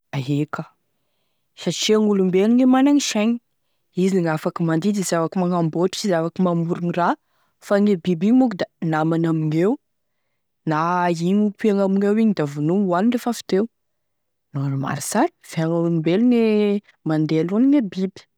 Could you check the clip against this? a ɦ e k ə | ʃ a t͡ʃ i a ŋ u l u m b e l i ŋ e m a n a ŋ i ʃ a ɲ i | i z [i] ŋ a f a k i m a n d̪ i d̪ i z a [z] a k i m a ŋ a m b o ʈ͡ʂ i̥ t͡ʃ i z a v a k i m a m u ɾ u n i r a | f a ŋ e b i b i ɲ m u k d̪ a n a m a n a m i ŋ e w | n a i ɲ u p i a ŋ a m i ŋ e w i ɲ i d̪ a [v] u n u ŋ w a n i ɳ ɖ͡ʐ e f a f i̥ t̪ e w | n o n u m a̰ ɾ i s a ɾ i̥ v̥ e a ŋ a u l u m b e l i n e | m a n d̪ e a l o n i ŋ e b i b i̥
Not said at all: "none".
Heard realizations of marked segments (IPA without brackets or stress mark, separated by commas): i, v, v